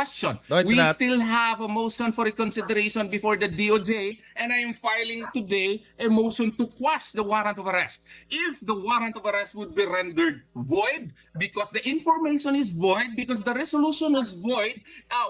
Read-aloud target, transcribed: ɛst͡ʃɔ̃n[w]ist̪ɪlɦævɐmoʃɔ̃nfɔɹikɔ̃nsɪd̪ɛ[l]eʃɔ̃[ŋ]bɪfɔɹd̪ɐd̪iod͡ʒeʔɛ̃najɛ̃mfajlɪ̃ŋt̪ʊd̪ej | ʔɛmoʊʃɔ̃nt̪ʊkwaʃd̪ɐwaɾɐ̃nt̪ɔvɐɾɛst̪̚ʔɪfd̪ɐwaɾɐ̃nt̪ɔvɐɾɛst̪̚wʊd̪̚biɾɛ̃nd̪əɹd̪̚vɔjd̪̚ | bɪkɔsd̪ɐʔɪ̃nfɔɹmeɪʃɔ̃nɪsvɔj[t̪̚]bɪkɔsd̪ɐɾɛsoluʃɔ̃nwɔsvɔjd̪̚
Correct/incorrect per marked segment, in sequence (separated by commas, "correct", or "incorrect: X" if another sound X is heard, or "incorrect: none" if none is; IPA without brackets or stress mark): correct, incorrect: ɾ, incorrect: n, incorrect: d̪̚